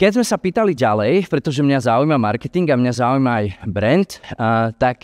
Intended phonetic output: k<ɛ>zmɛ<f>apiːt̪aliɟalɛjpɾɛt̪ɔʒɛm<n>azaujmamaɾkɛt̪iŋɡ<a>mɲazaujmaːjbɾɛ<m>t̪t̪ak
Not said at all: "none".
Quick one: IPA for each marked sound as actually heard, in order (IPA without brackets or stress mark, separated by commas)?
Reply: ɛ, s, ɲ, a, n